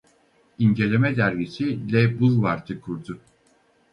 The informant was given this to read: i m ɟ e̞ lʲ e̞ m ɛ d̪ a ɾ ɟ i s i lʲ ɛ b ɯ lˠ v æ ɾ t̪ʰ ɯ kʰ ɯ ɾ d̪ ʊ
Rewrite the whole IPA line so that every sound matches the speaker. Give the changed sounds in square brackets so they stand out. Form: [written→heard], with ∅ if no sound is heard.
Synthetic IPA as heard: i [m→ɲ] ɟ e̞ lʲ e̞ m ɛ d̪ [a→æ] ɾ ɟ i s i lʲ ɛ b [ɯ→u] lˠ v [æ→a] ɾ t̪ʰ ɯ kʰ [ɯ→u] ɾ d̪ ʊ